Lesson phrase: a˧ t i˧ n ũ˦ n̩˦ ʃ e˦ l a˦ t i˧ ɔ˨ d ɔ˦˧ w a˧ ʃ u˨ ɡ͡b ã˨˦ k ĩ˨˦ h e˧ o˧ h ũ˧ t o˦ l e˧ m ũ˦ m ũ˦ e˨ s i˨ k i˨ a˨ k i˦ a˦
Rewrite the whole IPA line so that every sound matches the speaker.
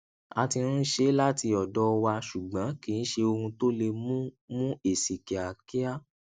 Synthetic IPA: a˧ t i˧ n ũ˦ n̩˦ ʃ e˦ l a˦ t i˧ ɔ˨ d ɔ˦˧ w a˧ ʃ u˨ ɡ͡b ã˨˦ k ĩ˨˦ ʃ e˧ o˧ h ũ˧ t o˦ l e˧ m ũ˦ m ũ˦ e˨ s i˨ k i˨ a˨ k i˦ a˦

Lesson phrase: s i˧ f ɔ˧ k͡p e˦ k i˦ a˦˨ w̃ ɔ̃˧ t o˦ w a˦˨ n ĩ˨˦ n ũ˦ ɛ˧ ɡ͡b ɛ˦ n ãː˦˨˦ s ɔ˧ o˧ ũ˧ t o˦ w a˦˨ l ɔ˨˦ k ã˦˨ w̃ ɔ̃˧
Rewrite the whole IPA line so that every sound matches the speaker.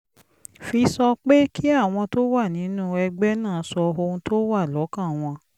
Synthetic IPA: f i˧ s ɔ˧ k͡p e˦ k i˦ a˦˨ w̃ ɔ̃˧ t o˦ w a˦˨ n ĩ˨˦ n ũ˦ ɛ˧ ɡ͡b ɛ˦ n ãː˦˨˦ s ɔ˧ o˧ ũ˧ t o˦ w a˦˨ l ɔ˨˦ k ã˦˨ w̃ ɔ̃˧

